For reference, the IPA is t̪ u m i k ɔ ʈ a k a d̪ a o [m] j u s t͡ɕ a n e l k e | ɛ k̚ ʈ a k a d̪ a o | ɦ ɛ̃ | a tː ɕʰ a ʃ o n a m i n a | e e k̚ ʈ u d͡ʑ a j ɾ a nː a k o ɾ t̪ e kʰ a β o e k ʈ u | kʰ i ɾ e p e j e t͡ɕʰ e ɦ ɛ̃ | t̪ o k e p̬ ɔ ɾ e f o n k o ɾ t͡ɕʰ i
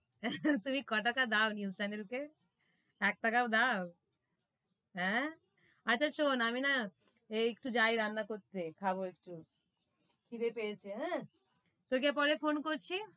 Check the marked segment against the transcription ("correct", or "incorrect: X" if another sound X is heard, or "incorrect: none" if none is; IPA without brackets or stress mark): incorrect: n